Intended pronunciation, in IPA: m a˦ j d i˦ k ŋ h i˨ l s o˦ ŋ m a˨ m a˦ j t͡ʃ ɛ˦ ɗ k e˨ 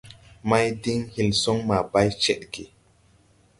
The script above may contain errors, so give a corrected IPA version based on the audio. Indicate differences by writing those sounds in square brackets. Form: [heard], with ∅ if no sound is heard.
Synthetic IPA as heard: m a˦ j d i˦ [∅] ŋ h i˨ l s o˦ ŋ m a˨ [b] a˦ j t͡ʃ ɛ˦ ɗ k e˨